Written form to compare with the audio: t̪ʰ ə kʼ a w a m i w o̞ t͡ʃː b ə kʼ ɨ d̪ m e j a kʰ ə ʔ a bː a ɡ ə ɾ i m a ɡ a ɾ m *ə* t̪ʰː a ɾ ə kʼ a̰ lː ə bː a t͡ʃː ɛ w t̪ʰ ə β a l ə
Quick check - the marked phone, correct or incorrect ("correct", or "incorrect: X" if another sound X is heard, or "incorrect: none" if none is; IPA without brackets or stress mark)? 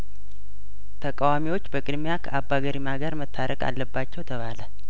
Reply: correct